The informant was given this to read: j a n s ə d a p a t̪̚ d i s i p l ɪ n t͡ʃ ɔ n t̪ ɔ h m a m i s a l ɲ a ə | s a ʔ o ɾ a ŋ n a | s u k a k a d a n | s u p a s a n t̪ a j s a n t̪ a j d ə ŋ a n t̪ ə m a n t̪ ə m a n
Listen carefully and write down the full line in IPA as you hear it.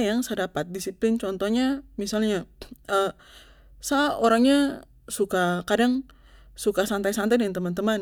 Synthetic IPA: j a ŋ s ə d a p a t̪̚ d i s i p l ɪ n t͡ʃ ɔ n t̪ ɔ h ɲ a m i s a l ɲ a ə | s a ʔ o ɾ a ŋ ɲ a | s u k a k a d a ŋ | s u k a s a n t̪ a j s a n t̪ a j d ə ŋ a n t̪ ə m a n t̪ ə m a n